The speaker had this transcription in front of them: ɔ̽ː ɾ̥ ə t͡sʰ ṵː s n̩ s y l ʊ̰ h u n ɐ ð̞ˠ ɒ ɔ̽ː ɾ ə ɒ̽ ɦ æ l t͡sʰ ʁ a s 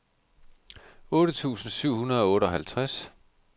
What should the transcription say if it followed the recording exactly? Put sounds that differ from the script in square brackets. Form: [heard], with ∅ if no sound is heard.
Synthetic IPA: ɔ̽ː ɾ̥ ə t͡sʰ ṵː s n̩ s y [∅] ʊ̰ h u n ɐ ð̞ˠ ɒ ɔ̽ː ɾ ə ɒ̽ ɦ æ l t͡sʰ ʁ a s